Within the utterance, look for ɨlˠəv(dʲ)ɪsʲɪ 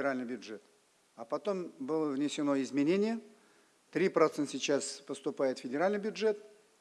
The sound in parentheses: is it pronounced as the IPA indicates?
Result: no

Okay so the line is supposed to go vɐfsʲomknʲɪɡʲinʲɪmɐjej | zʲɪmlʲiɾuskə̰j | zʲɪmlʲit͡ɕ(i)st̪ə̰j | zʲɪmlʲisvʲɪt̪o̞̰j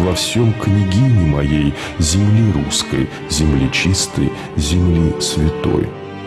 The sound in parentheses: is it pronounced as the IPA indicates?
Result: yes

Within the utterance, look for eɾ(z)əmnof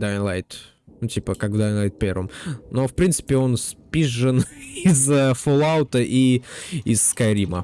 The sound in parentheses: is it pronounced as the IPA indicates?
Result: no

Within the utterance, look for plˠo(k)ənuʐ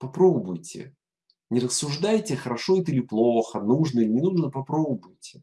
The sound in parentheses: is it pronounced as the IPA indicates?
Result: no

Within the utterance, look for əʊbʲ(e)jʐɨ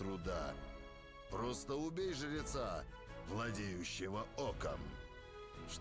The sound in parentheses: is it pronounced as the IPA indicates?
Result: yes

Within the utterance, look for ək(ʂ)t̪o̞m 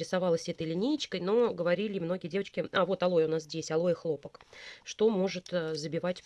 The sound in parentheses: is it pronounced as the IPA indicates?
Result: yes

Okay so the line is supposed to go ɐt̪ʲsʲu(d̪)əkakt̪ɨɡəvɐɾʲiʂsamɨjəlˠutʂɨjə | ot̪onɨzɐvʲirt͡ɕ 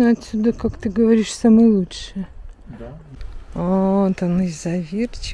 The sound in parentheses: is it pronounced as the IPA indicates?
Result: yes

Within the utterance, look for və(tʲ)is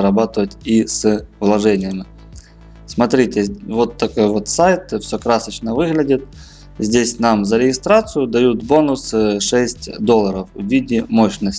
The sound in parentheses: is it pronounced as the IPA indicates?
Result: yes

